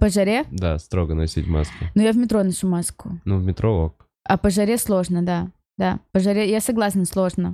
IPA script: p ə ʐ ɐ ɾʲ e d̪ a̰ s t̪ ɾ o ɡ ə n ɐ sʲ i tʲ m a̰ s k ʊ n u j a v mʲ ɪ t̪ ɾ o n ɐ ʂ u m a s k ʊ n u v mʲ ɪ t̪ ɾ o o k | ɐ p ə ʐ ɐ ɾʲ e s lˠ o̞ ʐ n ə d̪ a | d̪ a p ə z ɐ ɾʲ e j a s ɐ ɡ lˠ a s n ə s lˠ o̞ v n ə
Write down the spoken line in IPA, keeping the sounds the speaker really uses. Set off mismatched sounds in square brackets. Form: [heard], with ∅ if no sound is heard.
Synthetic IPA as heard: p ə ʐ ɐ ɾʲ e d̪ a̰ s t̪ ɾ o ɡ ə n ɐ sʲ i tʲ m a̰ s k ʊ n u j a v mʲ ɪ t̪ ɾ o n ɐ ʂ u m a s k ʊ n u v mʲ ɪ t̪ ɾ o o k | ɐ p ə ʐ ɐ ɾʲ e s lˠ o̞ ʐ n ə d̪ a | d̪ a p ə [ʐ] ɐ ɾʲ e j a s ɐ ɡ lˠ a s n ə s lˠ o̞ [ʐ] n ə